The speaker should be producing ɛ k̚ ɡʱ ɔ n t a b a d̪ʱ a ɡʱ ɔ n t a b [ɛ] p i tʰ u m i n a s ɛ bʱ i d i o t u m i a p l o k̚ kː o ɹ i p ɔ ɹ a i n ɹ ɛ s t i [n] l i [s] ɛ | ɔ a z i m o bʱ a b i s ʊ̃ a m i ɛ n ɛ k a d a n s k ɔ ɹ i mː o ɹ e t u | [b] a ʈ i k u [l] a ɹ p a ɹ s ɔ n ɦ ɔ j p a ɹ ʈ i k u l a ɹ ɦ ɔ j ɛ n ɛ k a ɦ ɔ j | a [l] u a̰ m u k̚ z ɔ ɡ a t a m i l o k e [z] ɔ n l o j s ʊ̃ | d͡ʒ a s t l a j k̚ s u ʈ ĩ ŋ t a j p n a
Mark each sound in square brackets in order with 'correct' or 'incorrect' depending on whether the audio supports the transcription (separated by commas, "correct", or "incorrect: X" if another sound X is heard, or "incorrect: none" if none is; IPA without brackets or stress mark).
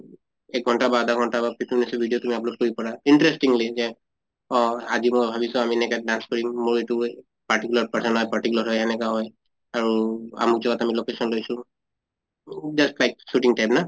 incorrect: a, incorrect: ŋ, incorrect: z, incorrect: p, correct, incorrect: ɹ, incorrect: s